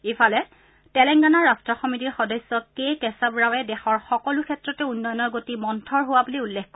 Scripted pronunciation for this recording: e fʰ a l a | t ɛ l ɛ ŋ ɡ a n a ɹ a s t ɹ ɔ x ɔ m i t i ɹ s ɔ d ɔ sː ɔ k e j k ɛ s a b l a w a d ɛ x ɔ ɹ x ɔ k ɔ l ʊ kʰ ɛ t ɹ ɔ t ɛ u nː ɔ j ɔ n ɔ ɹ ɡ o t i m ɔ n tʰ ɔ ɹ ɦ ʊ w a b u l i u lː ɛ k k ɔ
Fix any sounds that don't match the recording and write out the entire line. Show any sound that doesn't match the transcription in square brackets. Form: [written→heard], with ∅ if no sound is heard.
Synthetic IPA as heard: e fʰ a l [a→ɛ] | t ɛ l ɛ ŋ ɡ a n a ɹ a s t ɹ ɔ x ɔ m i t i ɹ [s→x] ɔ d ɔ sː ɔ k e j k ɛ s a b [l→ɹ] a w [a→ɛ] d ɛ x ɔ ɹ x ɔ k ɔ l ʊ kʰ ɛ t ɹ ɔ t ɛ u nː ɔ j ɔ n ɔ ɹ ɡ o t i m ɔ n tʰ ɔ ɹ ɦ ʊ w a b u l i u lː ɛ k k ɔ